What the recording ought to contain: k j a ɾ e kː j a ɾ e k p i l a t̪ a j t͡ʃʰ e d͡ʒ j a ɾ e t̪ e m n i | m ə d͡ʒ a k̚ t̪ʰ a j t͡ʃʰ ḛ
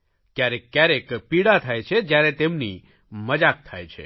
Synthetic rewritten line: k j a ɾ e kː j a ɾ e k p i ɽ a t̪ʰ a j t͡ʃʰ e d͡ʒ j a ɾ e t̪ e m n i | m ə d͡ʒ a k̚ t̪ʰ a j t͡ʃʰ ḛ